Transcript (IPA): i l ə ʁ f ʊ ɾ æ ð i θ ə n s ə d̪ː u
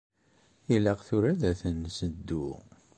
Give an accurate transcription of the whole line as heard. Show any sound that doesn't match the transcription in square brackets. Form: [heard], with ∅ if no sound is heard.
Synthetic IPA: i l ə ʁ [θ] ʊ ɾ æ ð [æ] θ ə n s ə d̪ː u